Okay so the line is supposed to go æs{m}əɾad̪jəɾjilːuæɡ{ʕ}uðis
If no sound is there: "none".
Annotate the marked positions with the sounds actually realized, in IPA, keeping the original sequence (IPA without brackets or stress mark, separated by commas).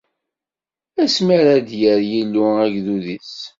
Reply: m, ð